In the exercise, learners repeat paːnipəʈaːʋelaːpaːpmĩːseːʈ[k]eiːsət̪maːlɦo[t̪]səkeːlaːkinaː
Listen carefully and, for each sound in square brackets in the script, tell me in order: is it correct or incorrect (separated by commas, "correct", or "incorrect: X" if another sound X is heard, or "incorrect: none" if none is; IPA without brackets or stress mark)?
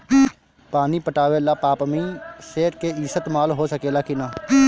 correct, incorrect: none